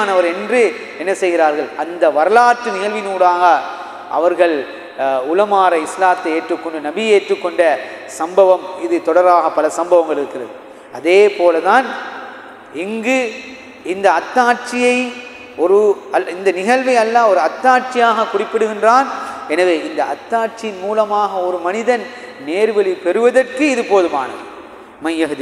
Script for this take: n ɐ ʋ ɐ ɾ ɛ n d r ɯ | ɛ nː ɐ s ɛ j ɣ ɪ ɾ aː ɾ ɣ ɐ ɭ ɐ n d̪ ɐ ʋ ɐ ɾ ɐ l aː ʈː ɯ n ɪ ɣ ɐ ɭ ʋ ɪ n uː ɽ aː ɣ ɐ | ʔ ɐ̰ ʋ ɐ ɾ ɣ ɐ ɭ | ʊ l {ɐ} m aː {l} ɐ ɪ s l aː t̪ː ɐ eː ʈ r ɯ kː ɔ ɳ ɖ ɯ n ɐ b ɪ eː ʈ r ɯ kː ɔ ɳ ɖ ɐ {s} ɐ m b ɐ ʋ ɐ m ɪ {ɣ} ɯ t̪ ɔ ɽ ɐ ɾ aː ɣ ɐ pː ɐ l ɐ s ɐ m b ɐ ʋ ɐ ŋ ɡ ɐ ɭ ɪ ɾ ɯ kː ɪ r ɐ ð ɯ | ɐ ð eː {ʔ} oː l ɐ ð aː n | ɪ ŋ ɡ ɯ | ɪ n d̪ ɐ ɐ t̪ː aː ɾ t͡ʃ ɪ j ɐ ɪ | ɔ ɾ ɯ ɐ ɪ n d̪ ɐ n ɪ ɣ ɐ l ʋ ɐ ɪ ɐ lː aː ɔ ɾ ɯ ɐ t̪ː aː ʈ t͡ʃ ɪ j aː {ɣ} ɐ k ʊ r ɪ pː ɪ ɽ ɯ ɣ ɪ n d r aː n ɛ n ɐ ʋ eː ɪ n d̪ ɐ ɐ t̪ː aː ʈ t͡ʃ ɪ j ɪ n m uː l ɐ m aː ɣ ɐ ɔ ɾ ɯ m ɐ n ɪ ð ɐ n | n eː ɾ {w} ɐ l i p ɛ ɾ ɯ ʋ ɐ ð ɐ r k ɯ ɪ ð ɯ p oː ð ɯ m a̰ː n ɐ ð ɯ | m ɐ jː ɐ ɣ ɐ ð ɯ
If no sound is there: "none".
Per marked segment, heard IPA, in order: ɐ, ɾ, s, ð, p, ɣ, ʋ

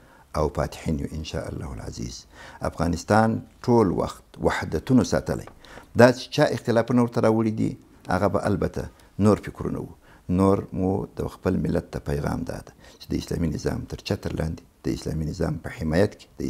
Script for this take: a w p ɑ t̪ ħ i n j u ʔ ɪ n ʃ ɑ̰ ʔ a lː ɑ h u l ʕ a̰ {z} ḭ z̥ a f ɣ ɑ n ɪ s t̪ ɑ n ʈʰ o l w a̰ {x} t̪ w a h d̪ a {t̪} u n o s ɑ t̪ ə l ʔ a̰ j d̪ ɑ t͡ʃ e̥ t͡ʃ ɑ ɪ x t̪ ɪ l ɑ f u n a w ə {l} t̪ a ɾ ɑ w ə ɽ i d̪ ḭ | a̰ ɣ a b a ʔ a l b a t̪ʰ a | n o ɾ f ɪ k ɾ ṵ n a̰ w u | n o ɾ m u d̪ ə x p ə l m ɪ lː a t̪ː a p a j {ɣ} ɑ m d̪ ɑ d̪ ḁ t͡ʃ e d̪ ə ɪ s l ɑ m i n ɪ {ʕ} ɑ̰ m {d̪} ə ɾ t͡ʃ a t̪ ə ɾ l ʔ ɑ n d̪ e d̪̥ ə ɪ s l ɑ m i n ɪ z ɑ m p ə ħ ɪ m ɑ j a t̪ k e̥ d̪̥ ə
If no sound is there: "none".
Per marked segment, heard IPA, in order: z, x, t̪, ɾ, ɣ, z, t̪

